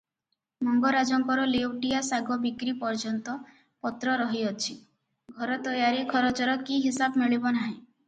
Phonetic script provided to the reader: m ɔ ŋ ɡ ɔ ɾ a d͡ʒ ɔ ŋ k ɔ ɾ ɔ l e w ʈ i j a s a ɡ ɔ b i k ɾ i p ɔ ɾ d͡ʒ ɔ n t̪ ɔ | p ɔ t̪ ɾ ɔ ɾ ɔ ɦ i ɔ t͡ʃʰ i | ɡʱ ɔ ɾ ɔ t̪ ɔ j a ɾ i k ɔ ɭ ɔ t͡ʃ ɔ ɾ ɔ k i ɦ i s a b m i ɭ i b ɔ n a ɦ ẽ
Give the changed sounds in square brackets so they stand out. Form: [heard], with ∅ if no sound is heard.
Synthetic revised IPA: m ɔ ŋ ɡ ɔ ɾ a d͡ʒ ɔ ŋ k ɔ ɾ ɔ l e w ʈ i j a s a ɡ ɔ b i k ɾ i p ɔ ɾ d͡ʒ ɔ n t̪ ɔ | p ɔ t̪ ɾ ɔ ɾ ɔ ɦ i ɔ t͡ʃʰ i | ɡʱ ɔ ɾ ɔ t̪ ɔ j a ɾ i [kʰ] ɔ [ɾ] ɔ t͡ʃ ɔ ɾ ɔ k i ɦ i s a b m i ɭ i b ɔ n a ɦ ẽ